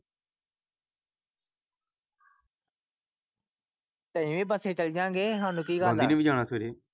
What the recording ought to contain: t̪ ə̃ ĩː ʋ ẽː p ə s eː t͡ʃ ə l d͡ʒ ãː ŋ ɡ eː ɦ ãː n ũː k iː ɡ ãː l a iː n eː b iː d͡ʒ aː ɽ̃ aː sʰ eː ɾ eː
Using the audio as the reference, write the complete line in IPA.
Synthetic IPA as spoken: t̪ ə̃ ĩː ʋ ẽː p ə s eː t͡ʃ ə l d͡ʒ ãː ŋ ɡ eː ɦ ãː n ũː k iː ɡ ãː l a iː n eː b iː d͡ʒ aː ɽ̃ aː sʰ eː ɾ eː

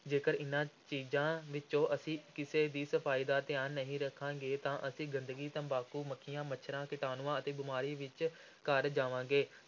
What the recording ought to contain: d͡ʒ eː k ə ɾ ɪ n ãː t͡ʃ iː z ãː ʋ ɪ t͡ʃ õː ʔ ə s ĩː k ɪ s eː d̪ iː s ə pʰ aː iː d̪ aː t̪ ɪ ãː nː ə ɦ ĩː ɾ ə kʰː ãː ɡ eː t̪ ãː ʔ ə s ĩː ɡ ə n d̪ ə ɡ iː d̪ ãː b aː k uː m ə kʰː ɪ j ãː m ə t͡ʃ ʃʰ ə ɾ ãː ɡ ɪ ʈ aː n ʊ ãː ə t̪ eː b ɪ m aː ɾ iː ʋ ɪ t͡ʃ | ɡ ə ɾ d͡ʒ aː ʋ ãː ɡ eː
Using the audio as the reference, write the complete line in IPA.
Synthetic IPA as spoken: d͡ʒ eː k ə ɾ ɪ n ãː t͡ʃ iː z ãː ʋ ɪ t͡ʃ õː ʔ ə s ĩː k ɪ s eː d̪ iː s ə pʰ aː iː d̪ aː t̪ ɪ aː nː ə ɦ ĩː ɾ ə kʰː ãː ɡ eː t̪ ãː ʔ ə s ĩː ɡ ə n d̪ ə ɡ iː t̪ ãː b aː k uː m ə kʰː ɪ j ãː m ə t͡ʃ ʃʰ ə ɾ ãː k ɪ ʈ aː n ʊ ãː ə t̪ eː b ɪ m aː ɾ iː ʋ ɪ t͡ʃ | k ə ɾ d͡ʒ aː ʋ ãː ɡ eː

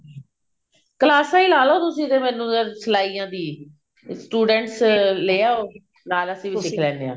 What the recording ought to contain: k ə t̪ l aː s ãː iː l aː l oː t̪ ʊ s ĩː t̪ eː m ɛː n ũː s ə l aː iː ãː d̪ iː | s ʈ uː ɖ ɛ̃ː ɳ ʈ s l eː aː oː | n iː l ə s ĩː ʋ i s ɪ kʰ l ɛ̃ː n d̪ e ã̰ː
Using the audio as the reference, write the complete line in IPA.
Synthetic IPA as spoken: k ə l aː s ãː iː l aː l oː t̪ ʊ s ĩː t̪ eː m ɛː n ũː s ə l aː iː ãː d̪ iː | s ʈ uː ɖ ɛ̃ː ɳ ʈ s l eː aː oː | n aː l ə s ĩː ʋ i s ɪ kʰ l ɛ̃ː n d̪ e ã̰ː

